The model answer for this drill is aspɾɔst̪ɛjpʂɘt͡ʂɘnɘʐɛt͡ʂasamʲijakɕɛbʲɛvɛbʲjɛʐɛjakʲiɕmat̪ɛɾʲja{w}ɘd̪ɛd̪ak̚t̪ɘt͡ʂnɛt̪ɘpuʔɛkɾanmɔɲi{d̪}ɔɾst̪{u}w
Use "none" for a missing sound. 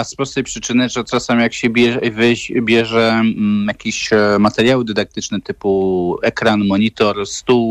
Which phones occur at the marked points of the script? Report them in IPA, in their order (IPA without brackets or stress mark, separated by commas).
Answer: w, t̪, u